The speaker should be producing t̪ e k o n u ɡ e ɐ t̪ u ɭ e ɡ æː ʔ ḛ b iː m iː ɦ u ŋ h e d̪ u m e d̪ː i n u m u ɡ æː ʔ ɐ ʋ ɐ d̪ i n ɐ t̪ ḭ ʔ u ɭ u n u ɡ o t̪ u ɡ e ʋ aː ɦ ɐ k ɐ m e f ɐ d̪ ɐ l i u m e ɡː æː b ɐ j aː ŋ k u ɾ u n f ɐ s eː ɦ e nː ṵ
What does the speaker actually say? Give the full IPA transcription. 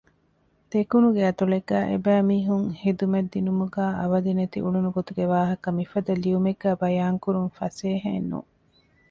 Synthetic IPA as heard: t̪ e k u n u ɡ e ɐ t̪ u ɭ e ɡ æː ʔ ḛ b æː m iː ɦ u ŋ h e d̪ u m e d̪ː i n u m u ɡ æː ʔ ɐ ʋ ɐ d̪ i n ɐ t̪ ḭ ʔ u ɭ u n u ɡ o t̪ u ɡ e ʋ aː ɦ ɐ k ɐ m i f ɐ d̪ ɐ l i u m e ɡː æː b ɐ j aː ŋ k u ɾ u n f ɐ s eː ɦ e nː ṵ